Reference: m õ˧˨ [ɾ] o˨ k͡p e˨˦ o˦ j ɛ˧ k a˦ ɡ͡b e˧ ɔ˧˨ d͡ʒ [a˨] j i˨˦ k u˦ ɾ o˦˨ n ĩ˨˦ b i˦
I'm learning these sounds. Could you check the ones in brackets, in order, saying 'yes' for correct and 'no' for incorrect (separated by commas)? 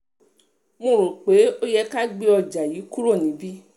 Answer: yes, yes